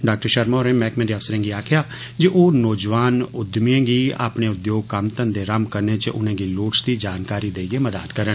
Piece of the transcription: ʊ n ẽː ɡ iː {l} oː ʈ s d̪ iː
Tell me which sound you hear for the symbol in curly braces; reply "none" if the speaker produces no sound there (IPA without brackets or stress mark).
l